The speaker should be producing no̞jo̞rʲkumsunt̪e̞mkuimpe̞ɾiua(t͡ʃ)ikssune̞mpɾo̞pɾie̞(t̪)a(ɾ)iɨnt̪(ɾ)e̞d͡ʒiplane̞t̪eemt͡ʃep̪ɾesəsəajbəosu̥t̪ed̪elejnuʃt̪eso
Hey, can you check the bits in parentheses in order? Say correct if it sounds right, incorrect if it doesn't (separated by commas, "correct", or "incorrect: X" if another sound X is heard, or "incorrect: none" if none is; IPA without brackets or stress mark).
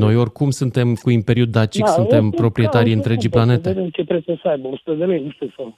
correct, correct, correct, correct